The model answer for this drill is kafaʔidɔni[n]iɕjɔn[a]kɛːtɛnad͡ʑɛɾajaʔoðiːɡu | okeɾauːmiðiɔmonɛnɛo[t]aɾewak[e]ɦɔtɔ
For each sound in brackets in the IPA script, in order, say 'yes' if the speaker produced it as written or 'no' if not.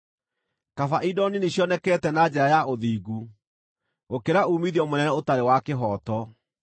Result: yes, no, yes, yes

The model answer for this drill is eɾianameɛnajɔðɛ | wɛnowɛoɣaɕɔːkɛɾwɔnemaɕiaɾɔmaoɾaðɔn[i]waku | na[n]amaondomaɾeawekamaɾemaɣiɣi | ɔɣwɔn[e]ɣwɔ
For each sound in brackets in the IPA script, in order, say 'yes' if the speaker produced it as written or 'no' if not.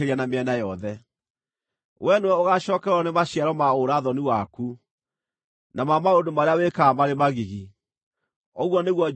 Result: yes, no, yes

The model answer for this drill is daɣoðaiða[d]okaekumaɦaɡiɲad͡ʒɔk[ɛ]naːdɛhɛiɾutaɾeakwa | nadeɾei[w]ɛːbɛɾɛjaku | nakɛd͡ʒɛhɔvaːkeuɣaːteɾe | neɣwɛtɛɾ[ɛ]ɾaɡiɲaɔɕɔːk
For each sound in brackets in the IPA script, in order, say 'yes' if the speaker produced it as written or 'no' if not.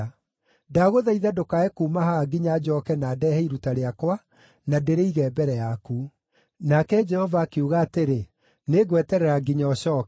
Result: yes, yes, no, yes

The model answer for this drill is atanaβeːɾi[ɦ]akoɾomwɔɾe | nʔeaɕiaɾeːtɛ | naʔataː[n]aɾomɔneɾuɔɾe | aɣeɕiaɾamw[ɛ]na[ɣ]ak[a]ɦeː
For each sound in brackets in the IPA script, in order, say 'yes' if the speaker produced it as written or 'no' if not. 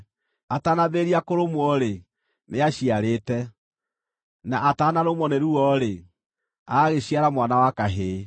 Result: no, yes, no, no, yes

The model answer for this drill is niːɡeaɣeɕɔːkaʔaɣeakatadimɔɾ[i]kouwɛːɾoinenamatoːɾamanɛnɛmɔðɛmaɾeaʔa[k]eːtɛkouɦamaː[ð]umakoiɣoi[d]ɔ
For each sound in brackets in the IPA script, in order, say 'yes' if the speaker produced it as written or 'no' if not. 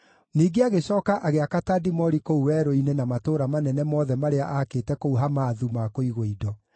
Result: yes, yes, yes, yes

